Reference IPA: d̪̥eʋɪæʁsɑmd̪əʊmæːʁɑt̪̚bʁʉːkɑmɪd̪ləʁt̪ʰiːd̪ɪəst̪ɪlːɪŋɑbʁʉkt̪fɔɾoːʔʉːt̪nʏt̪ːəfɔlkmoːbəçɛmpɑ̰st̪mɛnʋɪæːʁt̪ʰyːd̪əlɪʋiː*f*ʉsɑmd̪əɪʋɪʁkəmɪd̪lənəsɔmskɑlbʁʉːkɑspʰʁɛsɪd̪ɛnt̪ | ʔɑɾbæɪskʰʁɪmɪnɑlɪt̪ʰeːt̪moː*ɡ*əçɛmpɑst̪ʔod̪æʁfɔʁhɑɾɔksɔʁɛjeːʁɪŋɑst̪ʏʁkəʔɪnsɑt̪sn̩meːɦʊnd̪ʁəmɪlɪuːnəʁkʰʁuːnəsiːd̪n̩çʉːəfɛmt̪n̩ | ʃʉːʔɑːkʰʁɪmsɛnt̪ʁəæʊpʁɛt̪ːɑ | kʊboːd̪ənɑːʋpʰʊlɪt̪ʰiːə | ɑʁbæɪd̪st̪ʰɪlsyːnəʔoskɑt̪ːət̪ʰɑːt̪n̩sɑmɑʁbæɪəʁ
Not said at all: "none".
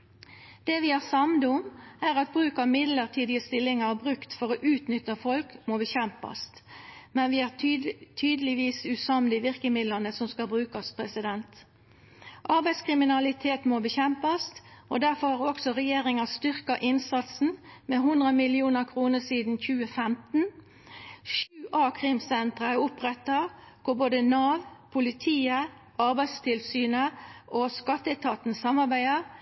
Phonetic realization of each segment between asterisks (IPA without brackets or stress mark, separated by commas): s, b